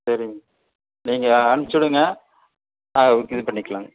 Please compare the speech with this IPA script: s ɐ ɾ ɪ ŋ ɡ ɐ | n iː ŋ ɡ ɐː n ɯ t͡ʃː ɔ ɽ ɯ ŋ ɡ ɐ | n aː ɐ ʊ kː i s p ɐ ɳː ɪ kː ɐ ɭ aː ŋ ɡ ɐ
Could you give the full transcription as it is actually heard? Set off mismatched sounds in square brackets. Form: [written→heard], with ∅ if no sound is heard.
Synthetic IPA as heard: s ɐ ɾ ɪ ŋ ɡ ɐ | n iː ŋ ɡ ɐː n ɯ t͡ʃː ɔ ɽ ɯ ŋ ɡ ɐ | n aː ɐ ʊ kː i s p ɐ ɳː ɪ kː ɐ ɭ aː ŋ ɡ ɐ